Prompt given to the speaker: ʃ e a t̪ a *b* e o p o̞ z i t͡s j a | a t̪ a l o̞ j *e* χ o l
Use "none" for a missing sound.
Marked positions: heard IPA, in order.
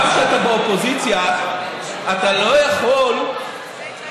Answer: b, a

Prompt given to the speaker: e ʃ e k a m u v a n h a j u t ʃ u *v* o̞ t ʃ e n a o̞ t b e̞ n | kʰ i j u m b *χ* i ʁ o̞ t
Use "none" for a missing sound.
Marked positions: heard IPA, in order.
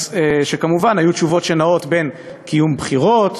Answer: v, χ

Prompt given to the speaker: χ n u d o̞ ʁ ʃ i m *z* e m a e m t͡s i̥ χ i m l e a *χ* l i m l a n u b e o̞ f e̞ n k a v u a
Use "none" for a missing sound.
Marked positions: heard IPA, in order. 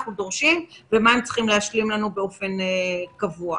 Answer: v, ʃ

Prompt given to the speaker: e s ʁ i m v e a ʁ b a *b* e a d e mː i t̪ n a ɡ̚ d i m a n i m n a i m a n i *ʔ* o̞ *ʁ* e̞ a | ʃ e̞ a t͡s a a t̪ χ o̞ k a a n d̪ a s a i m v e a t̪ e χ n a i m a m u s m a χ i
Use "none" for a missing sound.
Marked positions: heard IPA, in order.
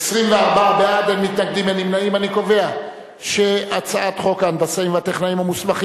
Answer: b, k, v

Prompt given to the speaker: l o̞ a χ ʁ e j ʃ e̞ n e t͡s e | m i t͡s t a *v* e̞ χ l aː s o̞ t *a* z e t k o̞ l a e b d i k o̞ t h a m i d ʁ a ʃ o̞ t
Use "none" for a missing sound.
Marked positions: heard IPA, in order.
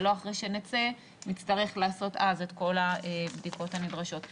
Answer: ʁ, a

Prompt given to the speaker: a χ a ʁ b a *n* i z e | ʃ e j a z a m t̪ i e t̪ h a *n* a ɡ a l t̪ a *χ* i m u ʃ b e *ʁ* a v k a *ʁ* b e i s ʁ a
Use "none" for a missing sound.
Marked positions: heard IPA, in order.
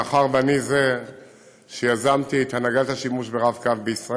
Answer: n, n, ʃ, ʁ, v

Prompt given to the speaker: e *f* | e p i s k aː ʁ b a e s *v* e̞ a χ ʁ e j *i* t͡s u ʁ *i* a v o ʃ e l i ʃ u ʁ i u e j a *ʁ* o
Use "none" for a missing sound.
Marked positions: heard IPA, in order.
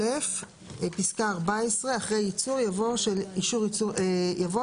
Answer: f, ʁ, i, j, v

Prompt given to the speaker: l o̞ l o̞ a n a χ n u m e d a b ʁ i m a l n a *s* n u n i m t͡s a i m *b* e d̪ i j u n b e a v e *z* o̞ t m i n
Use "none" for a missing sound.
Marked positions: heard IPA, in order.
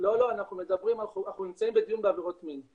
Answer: χ, b, ʁ

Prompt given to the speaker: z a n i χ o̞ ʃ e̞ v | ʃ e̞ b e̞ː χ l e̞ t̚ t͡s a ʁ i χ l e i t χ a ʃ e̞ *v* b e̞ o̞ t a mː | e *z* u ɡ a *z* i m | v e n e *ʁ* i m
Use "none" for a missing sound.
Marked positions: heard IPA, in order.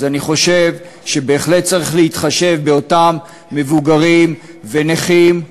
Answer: v, v, ʁ, χ

